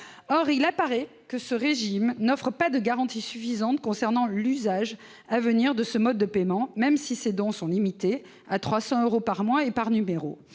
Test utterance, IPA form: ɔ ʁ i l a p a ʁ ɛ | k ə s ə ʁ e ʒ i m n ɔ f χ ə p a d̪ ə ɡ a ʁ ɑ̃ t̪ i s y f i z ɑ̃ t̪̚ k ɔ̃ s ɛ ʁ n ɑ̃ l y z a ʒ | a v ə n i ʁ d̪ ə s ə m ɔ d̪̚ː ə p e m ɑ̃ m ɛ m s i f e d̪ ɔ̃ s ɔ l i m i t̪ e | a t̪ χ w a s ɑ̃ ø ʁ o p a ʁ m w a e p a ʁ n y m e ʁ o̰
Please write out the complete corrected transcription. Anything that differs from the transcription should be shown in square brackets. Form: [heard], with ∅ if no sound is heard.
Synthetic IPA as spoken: ɔ ʁ i l a p a ʁ ɛ | k ə s ə ʁ e ʒ i m n ɔ f χ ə p a d̪ ə ɡ a ʁ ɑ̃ t̪ i s y f i z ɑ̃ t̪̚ k ɔ̃ s ɛ ʁ n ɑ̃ l y z a ʒ | a v ə n i ʁ d̪ ə s ə m ɔ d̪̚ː ə p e m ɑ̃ m ɛ m s i [s] e d̪ ɔ̃ s [ɔ̃] l i m i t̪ e | a t̪ χ w a s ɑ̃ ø ʁ o p a ʁ m w a e p a ʁ n y m e ʁ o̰